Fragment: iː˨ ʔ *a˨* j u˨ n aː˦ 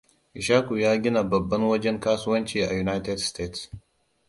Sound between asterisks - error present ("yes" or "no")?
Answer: no